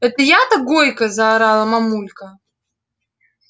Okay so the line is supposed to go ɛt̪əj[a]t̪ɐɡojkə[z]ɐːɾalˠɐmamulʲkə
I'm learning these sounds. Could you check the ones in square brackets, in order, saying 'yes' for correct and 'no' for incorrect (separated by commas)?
yes, yes